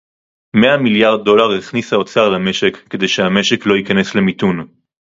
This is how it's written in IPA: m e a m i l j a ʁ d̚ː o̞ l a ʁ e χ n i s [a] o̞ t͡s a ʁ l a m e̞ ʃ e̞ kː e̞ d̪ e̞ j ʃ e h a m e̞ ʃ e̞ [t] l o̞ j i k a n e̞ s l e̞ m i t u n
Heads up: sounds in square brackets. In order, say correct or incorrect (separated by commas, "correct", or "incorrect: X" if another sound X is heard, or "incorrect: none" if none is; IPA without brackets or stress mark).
correct, incorrect: k